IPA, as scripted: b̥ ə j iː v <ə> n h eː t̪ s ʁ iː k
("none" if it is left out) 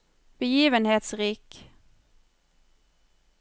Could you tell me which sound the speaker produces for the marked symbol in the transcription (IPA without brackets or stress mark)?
ə